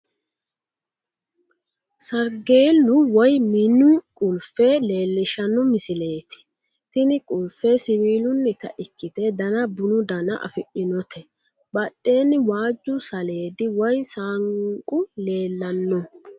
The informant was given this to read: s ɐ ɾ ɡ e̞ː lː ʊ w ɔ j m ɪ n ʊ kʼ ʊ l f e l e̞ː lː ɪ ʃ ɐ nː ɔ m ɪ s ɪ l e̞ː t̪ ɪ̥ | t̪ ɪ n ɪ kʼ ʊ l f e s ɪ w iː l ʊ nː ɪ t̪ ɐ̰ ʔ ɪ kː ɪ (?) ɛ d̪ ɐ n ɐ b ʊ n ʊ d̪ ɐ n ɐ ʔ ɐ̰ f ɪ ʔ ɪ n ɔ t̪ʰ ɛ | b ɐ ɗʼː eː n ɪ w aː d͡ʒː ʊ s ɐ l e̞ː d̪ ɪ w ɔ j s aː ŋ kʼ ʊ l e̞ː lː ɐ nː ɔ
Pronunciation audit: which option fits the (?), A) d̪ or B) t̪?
B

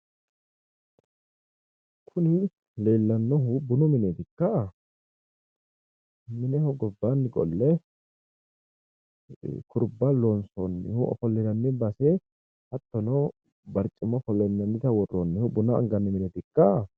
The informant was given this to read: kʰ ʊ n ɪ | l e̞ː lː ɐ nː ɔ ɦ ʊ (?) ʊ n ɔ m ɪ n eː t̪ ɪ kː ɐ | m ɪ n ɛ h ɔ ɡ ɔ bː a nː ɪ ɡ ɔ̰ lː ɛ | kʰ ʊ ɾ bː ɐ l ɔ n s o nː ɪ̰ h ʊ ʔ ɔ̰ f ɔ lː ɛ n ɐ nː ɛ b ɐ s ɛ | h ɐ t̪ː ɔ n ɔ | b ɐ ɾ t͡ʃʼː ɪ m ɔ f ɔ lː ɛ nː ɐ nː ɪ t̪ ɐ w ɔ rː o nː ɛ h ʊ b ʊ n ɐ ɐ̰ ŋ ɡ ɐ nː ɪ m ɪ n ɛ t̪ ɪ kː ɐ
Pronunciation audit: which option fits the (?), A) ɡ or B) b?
B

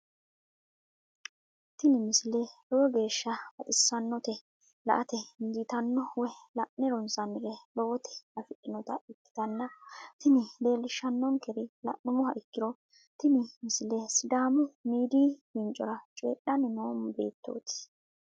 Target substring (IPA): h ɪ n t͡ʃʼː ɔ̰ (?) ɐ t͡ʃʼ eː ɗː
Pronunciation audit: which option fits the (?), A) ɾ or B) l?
A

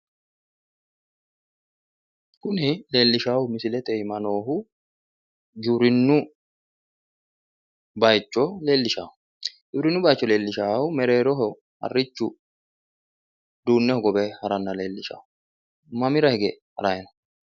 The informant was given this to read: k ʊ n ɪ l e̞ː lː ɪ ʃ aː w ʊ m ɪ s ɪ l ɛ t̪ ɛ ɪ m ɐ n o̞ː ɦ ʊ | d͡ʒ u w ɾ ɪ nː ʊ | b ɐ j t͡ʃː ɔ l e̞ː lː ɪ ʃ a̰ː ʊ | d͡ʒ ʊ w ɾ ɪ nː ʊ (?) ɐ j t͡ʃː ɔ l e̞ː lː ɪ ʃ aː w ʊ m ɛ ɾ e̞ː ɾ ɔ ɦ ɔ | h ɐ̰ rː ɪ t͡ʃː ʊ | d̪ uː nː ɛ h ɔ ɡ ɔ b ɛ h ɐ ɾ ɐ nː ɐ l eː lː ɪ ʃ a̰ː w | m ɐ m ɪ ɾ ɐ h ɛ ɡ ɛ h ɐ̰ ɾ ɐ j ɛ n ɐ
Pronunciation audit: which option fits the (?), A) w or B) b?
B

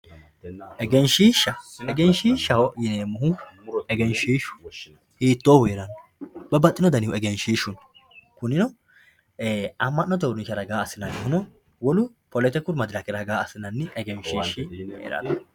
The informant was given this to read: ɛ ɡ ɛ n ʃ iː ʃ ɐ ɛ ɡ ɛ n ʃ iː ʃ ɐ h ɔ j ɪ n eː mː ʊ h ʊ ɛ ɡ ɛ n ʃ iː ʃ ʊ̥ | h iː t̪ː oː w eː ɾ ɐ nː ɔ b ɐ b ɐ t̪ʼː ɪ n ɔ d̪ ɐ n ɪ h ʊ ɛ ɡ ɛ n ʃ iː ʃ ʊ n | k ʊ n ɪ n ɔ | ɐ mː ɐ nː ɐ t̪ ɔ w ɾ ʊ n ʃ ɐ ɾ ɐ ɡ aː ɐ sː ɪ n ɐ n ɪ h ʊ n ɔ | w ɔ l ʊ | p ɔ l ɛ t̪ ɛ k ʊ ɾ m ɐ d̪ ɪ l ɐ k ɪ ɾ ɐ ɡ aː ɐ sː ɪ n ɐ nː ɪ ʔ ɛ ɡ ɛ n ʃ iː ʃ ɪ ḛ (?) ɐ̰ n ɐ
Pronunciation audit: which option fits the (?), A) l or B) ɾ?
B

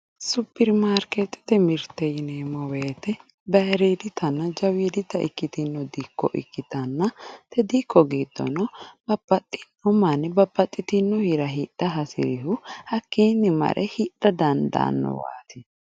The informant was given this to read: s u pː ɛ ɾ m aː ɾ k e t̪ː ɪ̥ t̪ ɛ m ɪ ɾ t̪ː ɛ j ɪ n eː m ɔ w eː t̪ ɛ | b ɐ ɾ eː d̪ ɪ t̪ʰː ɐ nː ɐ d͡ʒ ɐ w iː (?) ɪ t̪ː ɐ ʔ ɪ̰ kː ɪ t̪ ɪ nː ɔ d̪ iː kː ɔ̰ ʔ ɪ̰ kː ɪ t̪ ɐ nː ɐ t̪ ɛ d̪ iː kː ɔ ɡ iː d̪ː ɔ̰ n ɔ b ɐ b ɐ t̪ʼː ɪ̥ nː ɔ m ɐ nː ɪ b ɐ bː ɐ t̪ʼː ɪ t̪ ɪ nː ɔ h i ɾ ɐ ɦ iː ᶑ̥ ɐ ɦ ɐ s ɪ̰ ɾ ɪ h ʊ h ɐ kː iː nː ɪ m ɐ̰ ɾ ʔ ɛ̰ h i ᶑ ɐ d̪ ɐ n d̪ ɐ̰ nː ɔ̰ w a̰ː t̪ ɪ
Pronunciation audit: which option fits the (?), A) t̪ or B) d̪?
B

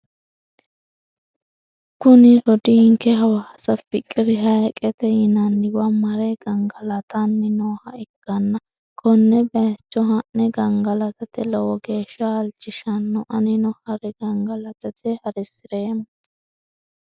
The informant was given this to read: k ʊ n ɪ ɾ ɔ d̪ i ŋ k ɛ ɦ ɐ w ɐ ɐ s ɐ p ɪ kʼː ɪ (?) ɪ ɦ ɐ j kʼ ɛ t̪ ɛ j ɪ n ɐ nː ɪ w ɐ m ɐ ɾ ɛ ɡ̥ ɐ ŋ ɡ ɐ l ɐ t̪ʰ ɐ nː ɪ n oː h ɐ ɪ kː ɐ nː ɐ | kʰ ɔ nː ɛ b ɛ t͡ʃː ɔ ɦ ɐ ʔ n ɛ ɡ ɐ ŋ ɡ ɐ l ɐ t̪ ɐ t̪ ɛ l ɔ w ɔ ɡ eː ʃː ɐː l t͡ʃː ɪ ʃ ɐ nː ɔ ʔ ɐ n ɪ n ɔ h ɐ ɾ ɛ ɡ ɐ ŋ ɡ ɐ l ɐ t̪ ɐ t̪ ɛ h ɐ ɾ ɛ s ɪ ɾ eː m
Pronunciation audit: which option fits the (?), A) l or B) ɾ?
B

